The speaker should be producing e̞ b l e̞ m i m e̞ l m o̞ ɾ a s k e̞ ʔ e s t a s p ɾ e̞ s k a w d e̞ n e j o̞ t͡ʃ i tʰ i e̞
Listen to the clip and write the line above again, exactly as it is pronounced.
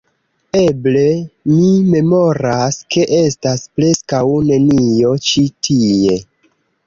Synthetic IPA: e̞ b l e̞ m i m e̞ m o̞ ɾ a s k e̞ ʔ e s t a s p ɾ e̞ s k a w n e̞ n i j o̞ t͡ʃ i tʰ i e̞